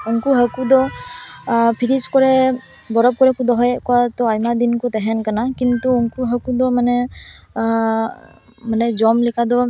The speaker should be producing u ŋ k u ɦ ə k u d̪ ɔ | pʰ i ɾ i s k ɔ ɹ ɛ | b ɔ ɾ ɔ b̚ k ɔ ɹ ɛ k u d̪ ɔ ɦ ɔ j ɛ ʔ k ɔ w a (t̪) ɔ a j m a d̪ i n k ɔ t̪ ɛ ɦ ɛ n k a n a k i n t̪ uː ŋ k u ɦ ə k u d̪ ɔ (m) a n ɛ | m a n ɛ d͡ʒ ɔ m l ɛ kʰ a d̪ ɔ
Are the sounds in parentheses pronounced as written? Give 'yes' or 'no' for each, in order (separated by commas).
yes, yes